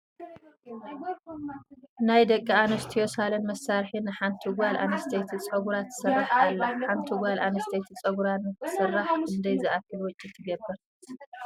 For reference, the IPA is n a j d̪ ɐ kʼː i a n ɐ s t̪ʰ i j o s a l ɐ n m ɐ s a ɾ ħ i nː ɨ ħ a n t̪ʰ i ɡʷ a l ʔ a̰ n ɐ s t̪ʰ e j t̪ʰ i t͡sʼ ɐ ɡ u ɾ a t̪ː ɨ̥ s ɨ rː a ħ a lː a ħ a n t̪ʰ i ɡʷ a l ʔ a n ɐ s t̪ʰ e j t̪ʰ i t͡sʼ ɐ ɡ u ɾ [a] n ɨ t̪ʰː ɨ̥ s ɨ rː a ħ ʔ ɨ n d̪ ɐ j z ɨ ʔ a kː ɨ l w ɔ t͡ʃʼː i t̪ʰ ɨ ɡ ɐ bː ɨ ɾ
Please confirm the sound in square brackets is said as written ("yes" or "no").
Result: yes